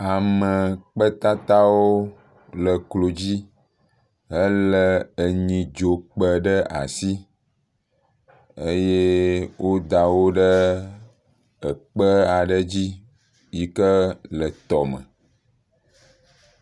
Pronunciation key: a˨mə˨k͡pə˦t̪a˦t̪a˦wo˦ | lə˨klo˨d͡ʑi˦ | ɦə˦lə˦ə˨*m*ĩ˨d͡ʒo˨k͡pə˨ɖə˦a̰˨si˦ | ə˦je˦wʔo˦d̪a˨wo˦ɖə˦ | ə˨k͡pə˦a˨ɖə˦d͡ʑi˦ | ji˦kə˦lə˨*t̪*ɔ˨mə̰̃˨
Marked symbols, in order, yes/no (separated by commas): no, yes